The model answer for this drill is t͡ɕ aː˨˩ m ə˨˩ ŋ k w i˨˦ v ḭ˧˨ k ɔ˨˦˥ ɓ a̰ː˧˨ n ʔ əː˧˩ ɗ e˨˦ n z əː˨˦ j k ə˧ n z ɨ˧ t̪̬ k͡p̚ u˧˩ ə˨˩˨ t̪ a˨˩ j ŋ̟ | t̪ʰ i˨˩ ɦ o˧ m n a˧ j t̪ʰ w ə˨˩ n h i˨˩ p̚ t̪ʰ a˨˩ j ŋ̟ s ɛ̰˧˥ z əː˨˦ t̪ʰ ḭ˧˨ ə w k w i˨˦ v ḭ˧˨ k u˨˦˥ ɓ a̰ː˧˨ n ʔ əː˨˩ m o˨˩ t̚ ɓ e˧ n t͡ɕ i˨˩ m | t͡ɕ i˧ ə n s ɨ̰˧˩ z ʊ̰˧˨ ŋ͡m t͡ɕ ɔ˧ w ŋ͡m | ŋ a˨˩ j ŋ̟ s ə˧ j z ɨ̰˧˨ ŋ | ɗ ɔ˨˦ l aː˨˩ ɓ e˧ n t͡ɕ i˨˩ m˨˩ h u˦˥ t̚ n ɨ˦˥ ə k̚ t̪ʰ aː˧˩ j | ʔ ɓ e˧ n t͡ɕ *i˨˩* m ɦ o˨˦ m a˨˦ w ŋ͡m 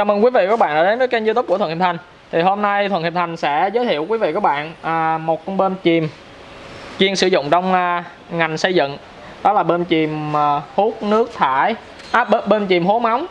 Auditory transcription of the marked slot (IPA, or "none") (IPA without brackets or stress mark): i˨˩